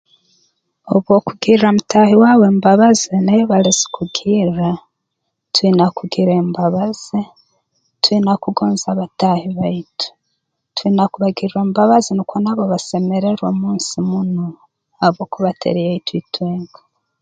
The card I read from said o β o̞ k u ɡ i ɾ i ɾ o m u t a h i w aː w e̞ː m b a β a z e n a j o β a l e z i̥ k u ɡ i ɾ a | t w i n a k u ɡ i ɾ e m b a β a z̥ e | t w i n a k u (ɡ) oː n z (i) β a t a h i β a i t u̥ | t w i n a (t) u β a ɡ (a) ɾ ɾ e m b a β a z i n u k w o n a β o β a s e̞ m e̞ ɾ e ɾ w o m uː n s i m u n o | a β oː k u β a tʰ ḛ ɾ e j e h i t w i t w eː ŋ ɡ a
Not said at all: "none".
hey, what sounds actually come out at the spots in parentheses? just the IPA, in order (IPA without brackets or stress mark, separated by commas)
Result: ɡ, a, k, i